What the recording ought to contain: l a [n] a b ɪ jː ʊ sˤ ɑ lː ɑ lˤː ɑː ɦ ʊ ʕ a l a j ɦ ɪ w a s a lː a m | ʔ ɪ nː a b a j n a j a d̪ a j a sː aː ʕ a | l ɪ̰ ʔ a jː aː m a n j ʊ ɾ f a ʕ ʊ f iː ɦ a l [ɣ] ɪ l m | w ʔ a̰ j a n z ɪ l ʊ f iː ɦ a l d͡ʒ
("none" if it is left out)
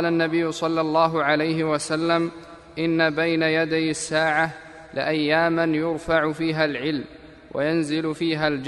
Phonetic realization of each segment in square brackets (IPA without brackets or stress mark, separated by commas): nː, ʕ